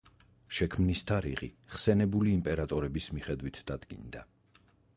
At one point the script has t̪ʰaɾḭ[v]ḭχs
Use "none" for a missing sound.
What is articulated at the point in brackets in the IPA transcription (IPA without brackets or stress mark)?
ʁ